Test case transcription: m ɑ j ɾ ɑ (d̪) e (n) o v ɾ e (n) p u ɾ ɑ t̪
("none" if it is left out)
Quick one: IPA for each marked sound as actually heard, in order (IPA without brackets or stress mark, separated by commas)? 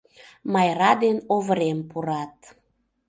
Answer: d̪, n, m